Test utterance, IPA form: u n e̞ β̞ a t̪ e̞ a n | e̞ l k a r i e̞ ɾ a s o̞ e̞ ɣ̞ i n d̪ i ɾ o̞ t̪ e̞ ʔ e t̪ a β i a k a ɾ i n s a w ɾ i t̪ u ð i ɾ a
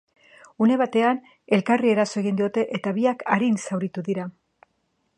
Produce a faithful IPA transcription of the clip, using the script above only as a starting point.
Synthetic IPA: u n e̞ β̞ a t̪ e̞ a n | e̞ l k a r i e̞ ɾ a s o̞ e̞ ɣ̞ i n d̪ i o̞ t̪ e̞ ʔ e t̪ a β i a k a ɾ i n s a w ɾ i t̪ u ð i ɾ a